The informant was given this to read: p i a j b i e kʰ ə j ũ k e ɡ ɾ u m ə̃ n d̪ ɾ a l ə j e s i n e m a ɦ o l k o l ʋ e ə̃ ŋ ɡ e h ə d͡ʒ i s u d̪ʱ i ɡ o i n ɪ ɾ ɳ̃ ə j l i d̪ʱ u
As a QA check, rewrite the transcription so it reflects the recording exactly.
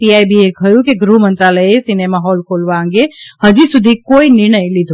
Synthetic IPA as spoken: p i a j b i e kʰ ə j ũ k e ɡ ɾ u m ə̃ n t̪ ɾ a l ə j e s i n e m a ɦ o l k o l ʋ a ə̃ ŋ ɡ e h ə d͡ʒ i s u d̪ʱ i k o i n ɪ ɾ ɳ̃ ə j l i d̪ʱ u